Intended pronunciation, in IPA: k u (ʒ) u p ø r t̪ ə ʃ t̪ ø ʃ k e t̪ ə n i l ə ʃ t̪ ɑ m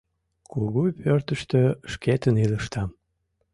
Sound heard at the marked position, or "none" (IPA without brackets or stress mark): ɣ